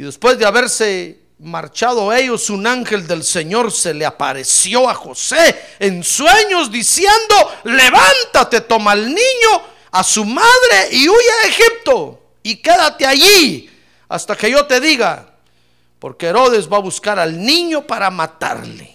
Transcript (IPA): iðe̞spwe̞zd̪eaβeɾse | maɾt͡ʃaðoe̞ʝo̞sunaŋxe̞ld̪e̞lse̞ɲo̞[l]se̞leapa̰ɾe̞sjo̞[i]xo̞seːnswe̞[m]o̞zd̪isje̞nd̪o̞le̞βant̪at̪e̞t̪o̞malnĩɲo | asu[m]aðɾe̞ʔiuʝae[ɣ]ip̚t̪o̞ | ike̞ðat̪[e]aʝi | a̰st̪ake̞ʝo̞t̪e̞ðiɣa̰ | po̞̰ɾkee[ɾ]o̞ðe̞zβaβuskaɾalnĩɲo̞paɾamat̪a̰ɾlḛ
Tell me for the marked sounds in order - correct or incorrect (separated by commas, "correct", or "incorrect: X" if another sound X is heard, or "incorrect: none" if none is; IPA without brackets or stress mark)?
incorrect: ɾ, incorrect: a, incorrect: ɲ, correct, incorrect: x, correct, correct